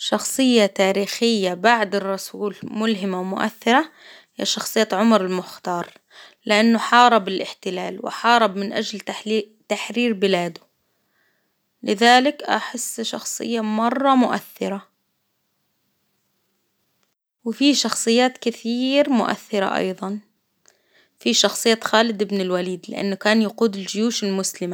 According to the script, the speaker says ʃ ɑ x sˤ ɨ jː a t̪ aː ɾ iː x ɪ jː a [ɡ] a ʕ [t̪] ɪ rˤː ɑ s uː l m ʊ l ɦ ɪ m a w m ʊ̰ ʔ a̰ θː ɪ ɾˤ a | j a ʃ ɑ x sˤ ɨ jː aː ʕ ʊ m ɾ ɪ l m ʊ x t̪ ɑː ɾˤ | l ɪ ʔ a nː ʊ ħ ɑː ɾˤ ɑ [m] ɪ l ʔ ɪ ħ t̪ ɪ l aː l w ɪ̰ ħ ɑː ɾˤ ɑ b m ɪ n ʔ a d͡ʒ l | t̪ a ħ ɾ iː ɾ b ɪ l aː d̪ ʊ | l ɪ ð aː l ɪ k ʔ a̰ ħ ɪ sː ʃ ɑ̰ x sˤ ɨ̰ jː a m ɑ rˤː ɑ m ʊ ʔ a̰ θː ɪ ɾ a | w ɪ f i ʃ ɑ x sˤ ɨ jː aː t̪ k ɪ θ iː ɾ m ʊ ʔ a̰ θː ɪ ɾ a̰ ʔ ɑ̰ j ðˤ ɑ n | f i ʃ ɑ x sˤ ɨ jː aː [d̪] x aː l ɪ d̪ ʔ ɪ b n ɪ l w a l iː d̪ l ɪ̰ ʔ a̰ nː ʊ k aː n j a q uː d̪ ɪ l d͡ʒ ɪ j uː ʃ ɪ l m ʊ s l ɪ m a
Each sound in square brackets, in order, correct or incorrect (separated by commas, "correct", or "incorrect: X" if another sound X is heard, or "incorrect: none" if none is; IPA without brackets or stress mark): incorrect: b, incorrect: d̪, incorrect: b, incorrect: t̪